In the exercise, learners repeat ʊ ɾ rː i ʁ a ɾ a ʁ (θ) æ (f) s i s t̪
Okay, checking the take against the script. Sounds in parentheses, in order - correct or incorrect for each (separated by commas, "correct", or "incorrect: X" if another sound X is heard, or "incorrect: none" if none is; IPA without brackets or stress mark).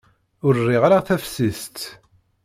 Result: correct, correct